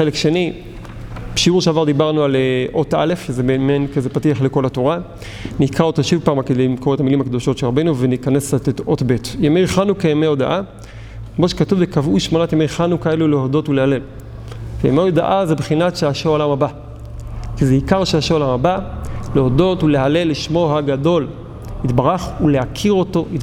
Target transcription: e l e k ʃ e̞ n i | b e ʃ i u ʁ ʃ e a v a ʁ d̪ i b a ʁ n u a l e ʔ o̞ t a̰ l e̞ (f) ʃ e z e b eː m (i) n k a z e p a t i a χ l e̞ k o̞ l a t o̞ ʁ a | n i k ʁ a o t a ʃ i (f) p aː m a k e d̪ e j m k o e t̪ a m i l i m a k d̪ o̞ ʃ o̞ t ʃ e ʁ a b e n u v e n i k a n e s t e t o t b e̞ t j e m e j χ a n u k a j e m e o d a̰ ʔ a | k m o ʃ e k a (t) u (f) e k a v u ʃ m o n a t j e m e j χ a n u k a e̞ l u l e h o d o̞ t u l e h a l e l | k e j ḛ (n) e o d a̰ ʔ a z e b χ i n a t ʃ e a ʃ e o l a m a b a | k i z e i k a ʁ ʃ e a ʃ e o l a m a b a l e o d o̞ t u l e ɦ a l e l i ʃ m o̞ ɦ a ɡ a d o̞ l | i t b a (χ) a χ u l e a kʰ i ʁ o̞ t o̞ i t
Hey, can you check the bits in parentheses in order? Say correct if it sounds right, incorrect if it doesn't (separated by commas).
correct, incorrect, incorrect, correct, incorrect, incorrect, incorrect